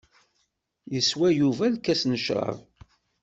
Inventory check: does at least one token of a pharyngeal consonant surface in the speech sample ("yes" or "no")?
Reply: no